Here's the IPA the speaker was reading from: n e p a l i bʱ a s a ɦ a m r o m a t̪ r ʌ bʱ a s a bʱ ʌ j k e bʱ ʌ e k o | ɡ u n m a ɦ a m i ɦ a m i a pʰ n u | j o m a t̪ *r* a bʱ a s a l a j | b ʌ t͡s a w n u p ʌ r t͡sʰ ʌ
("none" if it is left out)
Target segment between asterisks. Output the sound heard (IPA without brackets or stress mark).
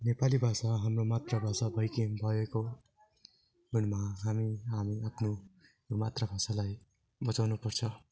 r